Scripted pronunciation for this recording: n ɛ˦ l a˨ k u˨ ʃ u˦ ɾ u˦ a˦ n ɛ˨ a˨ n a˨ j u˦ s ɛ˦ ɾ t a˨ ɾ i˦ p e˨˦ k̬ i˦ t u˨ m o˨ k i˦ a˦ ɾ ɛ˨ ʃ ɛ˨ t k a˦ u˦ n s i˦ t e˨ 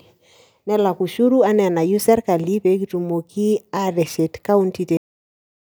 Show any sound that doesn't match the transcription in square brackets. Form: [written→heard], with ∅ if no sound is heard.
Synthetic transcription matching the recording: n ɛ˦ l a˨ k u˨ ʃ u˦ ɾ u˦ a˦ n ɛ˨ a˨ n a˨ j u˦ s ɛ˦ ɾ [t→k] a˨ [ɾ→l] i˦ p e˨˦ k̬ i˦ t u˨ m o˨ k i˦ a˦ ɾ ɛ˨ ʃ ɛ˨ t k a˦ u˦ n [s→t] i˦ t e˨